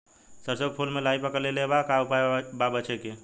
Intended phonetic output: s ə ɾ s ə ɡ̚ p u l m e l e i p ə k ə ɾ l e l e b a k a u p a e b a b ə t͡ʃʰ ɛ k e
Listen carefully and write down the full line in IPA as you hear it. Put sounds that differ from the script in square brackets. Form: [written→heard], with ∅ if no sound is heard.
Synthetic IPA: s ə ɾ s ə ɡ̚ [p→pʰ] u l m e l [e→a] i p ə k ə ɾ l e l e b a k a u p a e b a b ə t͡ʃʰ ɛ k e